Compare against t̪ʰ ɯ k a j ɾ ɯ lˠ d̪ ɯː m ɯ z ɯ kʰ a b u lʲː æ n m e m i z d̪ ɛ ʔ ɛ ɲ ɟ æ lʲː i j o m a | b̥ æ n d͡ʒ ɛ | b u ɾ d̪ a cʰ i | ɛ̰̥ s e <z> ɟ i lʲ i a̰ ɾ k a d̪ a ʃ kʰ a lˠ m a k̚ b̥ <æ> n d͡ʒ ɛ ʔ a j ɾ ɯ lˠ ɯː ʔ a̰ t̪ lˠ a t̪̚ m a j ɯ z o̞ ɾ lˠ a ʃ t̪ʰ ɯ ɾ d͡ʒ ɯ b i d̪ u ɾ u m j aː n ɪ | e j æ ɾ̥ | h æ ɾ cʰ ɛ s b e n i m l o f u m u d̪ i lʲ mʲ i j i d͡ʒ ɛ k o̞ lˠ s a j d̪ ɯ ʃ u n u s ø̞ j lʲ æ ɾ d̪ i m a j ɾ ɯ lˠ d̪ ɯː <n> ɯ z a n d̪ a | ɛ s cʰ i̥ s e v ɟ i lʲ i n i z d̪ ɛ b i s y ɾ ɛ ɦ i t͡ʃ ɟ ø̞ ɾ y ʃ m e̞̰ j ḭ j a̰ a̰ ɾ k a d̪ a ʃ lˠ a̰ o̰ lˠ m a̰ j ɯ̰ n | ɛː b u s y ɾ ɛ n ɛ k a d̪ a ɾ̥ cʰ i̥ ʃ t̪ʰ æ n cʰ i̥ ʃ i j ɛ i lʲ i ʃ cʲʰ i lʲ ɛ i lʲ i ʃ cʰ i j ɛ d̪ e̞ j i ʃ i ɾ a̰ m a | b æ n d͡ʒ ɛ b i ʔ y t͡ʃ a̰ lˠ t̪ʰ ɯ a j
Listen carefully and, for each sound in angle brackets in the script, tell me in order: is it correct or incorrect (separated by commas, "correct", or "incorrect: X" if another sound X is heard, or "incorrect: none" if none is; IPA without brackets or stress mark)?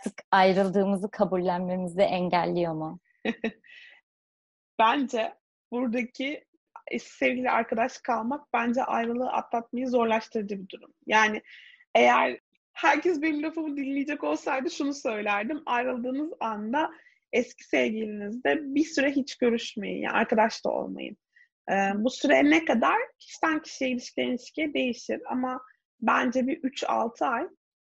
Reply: incorrect: v, correct, correct